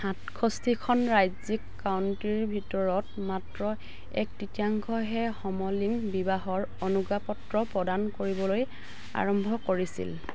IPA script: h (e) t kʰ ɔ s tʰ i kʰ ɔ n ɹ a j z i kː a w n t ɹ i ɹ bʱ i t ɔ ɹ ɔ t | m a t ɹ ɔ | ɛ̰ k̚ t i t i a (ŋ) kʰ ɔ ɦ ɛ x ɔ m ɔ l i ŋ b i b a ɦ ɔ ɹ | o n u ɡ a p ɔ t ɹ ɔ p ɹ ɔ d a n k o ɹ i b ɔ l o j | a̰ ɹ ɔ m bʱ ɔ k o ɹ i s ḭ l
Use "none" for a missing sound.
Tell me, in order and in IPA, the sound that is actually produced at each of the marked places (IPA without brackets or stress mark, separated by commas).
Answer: a, ŋ